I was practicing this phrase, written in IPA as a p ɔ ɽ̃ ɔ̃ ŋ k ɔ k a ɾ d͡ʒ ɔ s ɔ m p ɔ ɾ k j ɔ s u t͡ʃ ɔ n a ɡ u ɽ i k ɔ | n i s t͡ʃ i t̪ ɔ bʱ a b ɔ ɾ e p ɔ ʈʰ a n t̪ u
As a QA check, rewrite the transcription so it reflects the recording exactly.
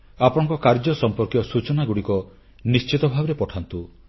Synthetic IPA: a p ɔ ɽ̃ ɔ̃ ŋ k ɔ k a ɾ d͡ʒ ɔ s ɔ m p ɔ ɾ k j ɔ s u t͡ʃ ɔ n a ɡ u ɽ i k ɔ | n i s t͡ʃ i t̪ ɔ bʱ a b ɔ ɾ e p ɔ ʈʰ a n t̪ u